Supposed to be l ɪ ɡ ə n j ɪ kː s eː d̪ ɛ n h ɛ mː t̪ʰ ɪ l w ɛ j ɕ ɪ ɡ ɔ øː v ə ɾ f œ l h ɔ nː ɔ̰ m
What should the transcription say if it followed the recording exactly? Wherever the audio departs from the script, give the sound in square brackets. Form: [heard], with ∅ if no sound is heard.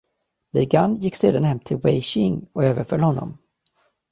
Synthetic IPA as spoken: l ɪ ɡ [a] n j ɪ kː s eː d̪ [a] n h ɛ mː t̪ʰ ɪ l w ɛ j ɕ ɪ [ŋ] ɔ øː v ə ɾ f œ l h ɔ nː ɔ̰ m